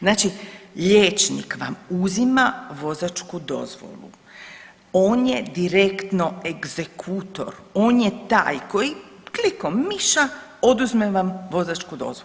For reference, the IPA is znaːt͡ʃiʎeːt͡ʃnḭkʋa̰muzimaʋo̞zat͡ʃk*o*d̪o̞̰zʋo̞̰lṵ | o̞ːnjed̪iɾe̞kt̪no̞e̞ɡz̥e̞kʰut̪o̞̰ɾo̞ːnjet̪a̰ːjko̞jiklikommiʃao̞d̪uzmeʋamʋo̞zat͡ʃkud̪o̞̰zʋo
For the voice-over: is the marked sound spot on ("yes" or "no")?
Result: no